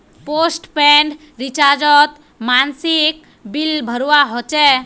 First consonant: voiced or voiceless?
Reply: voiceless